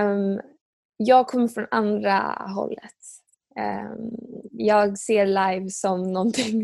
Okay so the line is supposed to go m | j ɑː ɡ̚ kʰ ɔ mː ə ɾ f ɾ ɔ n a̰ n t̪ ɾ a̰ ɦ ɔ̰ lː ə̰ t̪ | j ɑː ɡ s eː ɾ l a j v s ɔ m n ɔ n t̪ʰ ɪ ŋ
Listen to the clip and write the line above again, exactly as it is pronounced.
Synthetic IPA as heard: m | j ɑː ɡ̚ kʰ ɔ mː ə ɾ f ɾ ɔ n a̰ n d̪ ɾ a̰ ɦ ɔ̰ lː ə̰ t̪ | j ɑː ɡ s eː ɾ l a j v s ɔ m n ɔ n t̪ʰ ɪ ŋ